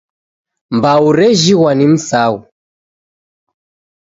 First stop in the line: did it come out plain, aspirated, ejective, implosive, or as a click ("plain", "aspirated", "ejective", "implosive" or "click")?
plain